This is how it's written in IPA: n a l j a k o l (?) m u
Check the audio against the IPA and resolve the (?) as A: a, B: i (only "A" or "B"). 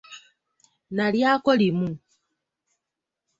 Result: B